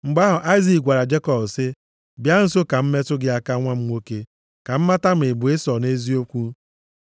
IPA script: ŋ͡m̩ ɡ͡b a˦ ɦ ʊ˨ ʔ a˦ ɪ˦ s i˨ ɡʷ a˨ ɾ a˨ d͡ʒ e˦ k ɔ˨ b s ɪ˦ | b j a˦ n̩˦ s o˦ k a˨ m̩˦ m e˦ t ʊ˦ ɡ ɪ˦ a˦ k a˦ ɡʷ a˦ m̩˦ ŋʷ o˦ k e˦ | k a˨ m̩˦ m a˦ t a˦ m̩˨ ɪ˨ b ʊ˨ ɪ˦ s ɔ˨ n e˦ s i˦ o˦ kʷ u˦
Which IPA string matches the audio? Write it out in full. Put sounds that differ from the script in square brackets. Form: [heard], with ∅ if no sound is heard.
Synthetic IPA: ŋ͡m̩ ɡ͡b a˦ ɦ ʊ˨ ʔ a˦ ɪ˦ [z] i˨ ɡʷ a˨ ɾ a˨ d͡ʒ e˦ k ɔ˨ b s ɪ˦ | b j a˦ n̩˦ s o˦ k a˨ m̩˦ m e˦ t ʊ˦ ɡ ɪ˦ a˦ k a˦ [ŋʷ] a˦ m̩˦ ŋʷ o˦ k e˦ | k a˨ m̩˦ m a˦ t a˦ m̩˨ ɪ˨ b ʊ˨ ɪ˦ s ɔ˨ n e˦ [z] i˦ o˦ kʷ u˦

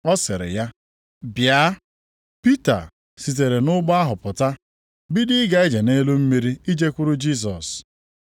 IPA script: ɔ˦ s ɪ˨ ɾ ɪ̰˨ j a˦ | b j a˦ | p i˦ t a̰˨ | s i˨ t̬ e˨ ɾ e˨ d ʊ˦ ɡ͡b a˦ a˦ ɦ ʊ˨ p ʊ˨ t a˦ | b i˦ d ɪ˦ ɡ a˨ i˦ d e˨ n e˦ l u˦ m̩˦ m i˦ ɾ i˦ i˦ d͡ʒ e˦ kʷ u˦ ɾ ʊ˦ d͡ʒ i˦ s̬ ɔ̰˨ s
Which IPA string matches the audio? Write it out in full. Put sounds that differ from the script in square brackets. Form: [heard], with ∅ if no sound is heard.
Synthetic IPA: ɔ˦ s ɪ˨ ɾ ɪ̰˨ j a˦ | b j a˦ | p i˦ t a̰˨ | s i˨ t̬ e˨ ɾ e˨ [n] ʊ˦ ɡ͡b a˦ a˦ ɦ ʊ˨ p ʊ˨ t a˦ | b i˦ d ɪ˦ ɡ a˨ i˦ [d͡ʒ] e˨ n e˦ l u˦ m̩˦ m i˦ ɾ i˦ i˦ d͡ʒ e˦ kʷ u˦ ɾ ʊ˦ d͡ʒ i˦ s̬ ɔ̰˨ s

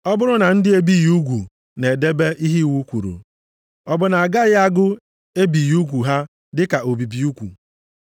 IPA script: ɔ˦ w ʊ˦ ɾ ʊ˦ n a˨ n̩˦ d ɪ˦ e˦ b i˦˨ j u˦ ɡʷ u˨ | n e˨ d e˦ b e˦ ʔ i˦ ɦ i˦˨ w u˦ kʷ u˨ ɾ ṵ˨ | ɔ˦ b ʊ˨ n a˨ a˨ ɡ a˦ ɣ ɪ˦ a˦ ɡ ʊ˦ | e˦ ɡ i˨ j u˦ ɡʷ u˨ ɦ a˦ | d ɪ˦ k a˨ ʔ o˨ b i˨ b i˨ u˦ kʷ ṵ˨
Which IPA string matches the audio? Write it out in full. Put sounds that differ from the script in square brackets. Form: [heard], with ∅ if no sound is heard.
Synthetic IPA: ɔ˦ [b] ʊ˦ ɾ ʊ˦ n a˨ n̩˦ d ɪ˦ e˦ b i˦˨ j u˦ ɡʷ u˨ | n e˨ d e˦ b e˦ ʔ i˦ ɦ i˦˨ w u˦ kʷ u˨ ɾ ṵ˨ | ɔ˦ b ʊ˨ n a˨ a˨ ɡ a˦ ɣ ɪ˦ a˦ ɡ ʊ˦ | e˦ [b] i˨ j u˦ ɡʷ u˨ ɦ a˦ | d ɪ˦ k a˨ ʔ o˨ b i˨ b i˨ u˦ kʷ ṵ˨

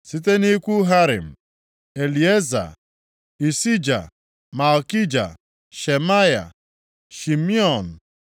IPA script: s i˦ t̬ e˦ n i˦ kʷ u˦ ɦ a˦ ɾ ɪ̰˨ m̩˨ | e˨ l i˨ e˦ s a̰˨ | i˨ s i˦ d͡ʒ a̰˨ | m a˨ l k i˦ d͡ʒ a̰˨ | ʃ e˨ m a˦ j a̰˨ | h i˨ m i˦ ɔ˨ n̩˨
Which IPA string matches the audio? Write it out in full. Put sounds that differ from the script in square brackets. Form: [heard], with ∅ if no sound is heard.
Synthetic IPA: s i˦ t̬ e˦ n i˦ kʷ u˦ ɦ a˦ ɾ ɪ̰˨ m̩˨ | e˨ l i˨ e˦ [z] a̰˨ | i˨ s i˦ d͡ʒ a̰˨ | m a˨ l k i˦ d͡ʒ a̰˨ | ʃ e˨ m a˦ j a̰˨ | [ʃ] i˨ m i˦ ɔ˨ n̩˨

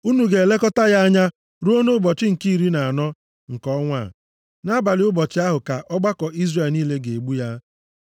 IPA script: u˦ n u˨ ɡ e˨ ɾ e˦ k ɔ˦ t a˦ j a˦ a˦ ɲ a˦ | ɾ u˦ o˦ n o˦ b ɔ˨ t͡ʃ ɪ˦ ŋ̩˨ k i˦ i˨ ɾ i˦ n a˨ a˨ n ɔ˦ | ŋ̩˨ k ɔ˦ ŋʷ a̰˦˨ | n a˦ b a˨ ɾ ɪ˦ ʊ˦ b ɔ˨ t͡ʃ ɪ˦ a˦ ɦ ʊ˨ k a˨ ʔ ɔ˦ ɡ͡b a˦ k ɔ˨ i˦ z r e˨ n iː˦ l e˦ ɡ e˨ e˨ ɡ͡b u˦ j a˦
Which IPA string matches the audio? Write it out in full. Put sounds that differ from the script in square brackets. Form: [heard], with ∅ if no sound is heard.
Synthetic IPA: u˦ n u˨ ɡ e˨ [l] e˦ k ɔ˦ t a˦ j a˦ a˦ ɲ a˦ | ɾ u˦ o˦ n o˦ b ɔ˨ t͡ʃ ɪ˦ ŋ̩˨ k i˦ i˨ ɾ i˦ n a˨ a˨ n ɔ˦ | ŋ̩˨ k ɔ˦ ŋʷ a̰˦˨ | n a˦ b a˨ [l] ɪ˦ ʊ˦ b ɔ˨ t͡ʃ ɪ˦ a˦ ɦ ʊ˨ k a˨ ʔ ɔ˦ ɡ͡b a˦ k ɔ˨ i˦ z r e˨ n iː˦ l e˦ ɡ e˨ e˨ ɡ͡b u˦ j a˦

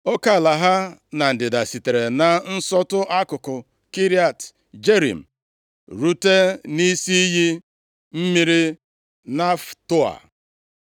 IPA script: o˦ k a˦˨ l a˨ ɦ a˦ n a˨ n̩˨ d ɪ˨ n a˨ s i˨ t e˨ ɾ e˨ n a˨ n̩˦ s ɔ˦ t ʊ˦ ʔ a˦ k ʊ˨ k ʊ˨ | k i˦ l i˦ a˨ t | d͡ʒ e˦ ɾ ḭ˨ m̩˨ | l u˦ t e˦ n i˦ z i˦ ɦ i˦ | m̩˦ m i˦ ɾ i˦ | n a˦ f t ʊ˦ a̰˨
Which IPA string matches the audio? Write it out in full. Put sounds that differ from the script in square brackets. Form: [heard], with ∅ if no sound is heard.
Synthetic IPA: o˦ k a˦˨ l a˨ ɦ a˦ n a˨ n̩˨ d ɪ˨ [d] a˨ s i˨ t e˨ ɾ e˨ n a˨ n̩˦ s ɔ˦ t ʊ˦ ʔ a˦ k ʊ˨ k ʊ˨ | k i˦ [ɾ] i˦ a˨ t | d͡ʒ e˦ ɾ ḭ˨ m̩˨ | [ɾ] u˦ t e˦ n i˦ [s] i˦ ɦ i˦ | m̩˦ m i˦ ɾ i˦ | n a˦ f t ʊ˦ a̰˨

